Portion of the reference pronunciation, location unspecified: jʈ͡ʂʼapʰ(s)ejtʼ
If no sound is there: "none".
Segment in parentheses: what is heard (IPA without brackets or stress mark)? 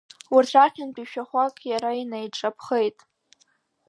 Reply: χ